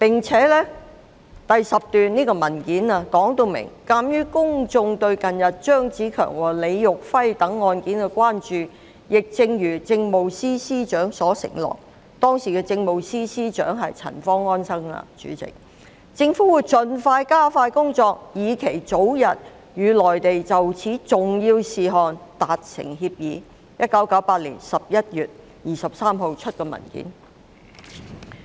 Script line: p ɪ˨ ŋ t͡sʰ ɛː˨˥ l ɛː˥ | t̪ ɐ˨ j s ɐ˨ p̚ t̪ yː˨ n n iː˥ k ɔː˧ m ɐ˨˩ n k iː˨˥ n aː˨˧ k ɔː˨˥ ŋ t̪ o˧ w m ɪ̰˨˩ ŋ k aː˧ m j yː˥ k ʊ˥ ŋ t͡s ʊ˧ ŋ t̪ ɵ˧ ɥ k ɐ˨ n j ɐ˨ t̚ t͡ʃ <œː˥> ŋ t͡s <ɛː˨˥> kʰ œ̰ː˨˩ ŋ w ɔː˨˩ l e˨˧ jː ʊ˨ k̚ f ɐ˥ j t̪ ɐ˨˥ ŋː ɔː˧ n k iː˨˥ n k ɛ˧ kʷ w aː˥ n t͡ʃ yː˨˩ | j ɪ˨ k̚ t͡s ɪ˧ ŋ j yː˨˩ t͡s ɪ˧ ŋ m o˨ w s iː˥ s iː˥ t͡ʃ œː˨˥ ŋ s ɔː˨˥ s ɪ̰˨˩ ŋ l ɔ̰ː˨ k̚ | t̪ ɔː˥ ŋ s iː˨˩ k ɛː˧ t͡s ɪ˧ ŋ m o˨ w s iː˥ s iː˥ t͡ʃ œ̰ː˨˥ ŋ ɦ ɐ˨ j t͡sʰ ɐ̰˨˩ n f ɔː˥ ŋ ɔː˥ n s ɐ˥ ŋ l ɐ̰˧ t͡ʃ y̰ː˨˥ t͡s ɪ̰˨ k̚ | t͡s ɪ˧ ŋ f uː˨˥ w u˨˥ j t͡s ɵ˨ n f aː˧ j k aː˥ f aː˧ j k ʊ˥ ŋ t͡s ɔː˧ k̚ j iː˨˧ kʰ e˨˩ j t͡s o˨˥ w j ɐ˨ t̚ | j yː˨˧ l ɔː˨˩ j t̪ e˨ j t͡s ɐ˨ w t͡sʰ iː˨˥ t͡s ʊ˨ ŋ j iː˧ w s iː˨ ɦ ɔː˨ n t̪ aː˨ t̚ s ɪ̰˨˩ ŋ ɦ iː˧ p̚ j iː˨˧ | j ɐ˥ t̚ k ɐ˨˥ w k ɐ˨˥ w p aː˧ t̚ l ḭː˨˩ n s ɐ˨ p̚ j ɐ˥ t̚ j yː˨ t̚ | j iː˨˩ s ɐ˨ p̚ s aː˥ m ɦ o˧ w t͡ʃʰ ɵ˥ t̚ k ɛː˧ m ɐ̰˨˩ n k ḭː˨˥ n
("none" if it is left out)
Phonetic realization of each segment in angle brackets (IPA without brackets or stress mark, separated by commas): œː˥, iː˨˥